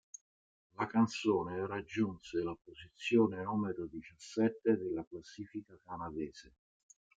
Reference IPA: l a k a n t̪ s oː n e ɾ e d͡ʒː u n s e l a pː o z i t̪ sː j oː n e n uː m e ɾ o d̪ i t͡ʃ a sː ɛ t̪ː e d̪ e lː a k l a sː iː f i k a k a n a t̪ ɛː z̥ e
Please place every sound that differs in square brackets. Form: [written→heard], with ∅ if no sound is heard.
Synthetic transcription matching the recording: l a k a n t̪ s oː n e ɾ [e→a] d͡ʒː u n s e l a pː o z i t̪ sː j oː n e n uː m e ɾ o d̪ i t͡ʃ a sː ɛ t̪ː e d̪ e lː a k l a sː iː f i k a k a n a [t̪→d̪] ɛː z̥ e